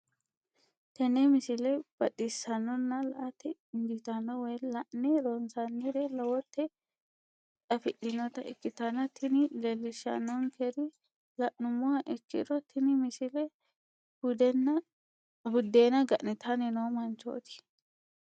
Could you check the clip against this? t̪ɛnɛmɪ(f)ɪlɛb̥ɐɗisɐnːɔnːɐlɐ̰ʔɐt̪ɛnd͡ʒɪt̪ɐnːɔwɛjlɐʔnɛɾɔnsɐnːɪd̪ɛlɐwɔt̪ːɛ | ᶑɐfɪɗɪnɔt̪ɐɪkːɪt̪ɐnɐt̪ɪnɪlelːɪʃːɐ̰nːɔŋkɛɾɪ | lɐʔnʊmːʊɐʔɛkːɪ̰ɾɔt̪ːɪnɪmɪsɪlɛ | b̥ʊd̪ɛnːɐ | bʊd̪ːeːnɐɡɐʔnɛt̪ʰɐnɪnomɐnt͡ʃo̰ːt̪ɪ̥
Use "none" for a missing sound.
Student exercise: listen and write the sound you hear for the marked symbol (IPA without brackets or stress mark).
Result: s